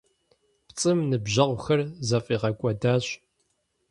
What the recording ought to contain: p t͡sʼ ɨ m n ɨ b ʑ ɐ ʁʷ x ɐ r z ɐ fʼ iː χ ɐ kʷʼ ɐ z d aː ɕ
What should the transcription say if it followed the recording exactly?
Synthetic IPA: p t͡sʼ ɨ m n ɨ b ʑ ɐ ʁʷ x ɐ r z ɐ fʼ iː ʁ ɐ kʷʼ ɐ d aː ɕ